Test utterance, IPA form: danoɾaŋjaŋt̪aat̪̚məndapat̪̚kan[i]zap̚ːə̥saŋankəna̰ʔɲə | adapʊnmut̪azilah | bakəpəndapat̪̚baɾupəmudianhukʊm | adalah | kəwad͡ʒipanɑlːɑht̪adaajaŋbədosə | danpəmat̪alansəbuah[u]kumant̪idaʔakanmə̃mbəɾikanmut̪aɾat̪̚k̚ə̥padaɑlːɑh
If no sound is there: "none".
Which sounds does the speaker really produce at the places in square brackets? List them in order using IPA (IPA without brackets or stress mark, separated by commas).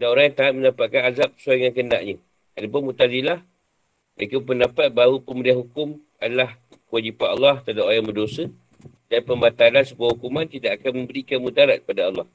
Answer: a, u